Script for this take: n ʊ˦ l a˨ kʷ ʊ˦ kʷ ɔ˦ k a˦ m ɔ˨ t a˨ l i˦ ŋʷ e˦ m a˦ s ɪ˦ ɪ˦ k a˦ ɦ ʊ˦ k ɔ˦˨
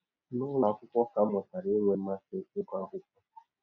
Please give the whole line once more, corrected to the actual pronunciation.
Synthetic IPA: n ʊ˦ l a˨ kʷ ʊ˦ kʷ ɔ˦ k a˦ m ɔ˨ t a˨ ɾ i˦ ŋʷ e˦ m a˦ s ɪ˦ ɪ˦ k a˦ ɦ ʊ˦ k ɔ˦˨